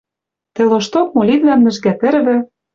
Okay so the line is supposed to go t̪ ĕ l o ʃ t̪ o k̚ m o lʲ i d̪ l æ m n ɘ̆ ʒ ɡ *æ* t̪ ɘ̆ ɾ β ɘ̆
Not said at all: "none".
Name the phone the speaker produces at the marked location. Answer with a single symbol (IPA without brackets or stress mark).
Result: æ